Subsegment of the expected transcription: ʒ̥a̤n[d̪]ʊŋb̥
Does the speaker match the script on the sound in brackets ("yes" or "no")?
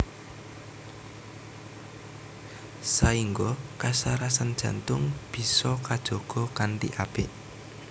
no